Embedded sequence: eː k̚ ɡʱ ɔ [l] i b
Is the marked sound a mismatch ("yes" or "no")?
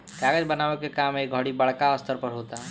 yes